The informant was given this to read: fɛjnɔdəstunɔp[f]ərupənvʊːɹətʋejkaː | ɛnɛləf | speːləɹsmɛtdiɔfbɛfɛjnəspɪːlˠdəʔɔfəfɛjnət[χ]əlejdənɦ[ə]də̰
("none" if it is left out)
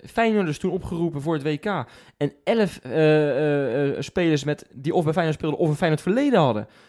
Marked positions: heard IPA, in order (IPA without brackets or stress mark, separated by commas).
χ, f, ɑ